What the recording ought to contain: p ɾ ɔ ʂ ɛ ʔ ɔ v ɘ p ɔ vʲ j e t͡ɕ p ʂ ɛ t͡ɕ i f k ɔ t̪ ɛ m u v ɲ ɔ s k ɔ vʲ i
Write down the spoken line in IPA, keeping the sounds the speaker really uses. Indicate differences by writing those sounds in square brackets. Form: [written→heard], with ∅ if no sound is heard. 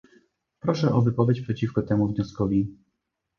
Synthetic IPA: p ɾ ɔ ʂ ɛ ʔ ɔ v ɘ p ɔ vʲ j e t͡ɕ p ʂ ɛ t͡ɕ i f k ɔ t̪ ɛ m u v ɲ ɔ s k ɔ vʲ i